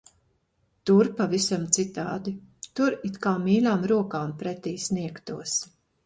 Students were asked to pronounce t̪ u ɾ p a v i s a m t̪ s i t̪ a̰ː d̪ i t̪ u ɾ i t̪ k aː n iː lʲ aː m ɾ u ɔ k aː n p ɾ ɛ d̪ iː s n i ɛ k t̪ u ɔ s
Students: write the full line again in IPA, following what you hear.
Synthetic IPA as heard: t̪ u ɾ p a v i s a m t̪ s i t̪ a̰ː d̪ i t̪ u ɾ i t̪ k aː m iː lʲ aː m ɾ u ɔ k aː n p ɾ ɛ t̪ iː s n i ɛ k t̪ u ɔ s